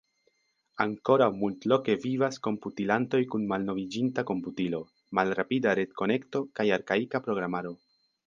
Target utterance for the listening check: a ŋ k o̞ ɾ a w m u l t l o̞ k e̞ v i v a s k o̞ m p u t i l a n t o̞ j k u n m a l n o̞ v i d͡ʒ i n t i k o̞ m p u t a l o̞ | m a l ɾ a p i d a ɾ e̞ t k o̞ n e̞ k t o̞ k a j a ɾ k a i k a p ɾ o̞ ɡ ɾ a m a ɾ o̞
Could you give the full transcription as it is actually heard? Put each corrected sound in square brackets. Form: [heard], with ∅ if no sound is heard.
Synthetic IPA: a ŋ k o̞ ɾ a w m u l t l o̞ k e̞ v i v a s k o̞ m p u t i l a n t o̞ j k u n m a l n o̞ v i d͡ʒ i n t [a] k o̞ m p u t [i] l o̞ | m a l ɾ a p i d a ɾ e̞ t k o̞ n e̞ k t o̞ k a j a ɾ k a i k a p ɾ o̞ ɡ ɾ a m a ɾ o̞